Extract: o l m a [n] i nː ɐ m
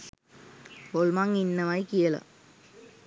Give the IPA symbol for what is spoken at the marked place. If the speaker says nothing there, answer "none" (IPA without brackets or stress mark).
ŋ